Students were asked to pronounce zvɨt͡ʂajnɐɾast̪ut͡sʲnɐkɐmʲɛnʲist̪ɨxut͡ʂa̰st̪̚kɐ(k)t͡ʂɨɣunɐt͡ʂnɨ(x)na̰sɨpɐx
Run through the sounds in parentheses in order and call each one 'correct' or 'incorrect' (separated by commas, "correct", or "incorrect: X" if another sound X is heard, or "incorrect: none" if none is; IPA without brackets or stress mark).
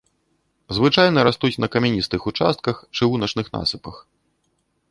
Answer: incorrect: x, correct